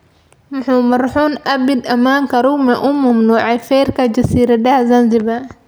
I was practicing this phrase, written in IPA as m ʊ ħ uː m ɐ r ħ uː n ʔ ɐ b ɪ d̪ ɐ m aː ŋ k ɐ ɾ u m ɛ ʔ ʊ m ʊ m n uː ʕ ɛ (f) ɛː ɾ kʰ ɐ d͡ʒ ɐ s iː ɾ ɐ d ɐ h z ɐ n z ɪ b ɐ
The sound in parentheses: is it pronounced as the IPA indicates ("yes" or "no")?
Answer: yes